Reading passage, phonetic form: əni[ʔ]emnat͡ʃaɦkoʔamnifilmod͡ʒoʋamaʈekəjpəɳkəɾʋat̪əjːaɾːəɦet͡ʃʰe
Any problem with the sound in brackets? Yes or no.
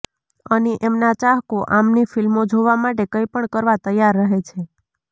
no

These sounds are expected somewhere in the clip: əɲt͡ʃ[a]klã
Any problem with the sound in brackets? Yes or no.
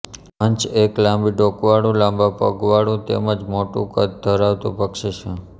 yes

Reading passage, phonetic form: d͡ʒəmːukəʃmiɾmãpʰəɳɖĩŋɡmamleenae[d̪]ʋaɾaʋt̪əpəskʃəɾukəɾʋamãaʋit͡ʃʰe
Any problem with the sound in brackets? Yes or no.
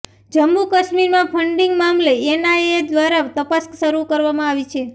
no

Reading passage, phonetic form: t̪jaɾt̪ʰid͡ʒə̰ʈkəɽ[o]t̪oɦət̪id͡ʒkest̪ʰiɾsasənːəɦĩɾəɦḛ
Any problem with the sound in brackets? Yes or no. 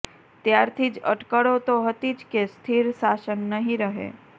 no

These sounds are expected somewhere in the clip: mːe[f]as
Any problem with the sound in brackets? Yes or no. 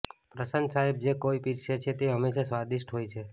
yes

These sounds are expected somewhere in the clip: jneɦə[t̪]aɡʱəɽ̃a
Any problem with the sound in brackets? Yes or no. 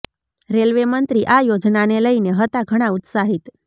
no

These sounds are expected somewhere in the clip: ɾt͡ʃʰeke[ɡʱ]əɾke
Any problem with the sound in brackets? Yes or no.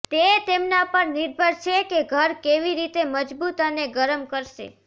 no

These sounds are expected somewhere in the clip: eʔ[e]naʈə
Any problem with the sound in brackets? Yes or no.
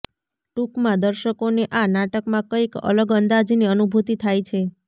yes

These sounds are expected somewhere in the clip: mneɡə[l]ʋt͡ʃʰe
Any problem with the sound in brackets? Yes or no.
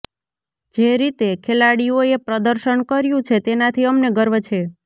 yes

